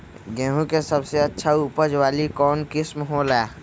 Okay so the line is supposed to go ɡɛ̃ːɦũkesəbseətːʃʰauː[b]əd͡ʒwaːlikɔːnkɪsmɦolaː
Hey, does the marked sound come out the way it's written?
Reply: no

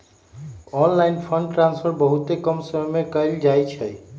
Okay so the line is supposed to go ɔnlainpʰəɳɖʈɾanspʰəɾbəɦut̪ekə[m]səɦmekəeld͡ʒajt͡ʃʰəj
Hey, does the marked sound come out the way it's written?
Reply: yes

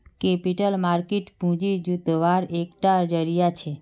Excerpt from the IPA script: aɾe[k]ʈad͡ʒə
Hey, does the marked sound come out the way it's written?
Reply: yes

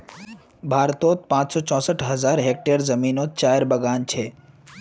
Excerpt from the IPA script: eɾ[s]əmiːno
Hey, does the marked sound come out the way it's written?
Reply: no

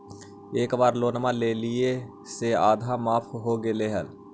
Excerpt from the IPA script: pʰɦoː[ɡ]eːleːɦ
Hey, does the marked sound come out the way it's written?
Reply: yes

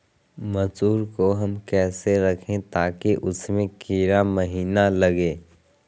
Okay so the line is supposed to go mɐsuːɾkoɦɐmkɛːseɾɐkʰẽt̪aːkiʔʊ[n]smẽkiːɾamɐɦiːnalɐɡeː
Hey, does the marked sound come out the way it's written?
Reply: no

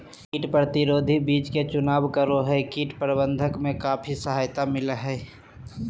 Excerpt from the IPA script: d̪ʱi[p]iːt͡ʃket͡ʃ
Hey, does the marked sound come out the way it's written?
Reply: no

